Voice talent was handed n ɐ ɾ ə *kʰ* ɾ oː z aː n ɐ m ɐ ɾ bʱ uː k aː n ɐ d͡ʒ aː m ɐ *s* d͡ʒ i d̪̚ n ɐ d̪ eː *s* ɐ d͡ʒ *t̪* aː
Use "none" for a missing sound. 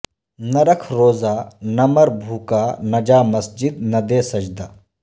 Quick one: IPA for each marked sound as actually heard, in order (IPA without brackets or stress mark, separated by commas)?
kʰ, s, s, d̪